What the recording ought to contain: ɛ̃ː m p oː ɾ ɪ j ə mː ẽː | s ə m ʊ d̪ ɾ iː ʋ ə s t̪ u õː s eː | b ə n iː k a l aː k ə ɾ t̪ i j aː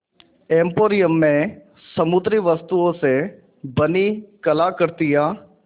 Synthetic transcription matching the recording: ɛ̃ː m p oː ɾ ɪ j ə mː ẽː | s ə m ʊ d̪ ɾ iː ʋ ə s t̪ u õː s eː | b ə n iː k ə l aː k ə ɾ t̪ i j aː